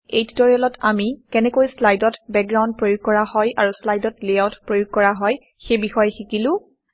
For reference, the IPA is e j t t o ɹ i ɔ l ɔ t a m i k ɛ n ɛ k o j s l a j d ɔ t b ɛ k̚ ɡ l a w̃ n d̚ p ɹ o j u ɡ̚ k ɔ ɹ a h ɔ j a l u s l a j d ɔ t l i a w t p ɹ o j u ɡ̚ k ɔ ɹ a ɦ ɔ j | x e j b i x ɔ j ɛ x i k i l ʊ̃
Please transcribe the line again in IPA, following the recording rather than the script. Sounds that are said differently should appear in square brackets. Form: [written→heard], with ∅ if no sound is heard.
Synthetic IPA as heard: e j t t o ɹ i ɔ l ɔ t a m i k ɛ n ɛ k o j s l a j d ɔ t b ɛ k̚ ɡ [l→ɹ] a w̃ n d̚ p ɹ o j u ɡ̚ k ɔ ɹ a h ɔ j a [l→ɹ] u s l a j d ɔ t l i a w t p ɹ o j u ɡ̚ k ɔ ɹ a ɦ ɔ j | x e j b i x ɔ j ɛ x i k i l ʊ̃